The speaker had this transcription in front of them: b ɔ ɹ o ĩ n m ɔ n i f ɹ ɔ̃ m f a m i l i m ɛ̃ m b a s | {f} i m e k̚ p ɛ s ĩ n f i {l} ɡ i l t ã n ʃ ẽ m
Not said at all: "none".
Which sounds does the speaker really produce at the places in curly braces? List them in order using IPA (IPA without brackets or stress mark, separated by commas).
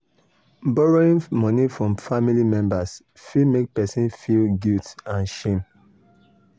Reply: f, l